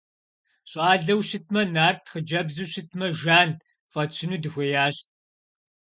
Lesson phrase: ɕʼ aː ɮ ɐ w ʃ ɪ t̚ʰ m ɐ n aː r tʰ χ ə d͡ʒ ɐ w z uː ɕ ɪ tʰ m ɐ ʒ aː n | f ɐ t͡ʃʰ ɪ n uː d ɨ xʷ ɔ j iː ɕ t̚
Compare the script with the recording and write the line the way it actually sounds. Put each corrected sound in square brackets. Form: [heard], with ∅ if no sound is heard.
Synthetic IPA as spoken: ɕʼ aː ɮ ɐ w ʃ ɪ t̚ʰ m ɐ n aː r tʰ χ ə d͡ʒ ɐ [b] z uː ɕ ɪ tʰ m ɐ ʒ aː n | f ɐ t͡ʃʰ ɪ n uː d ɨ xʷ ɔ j [aː] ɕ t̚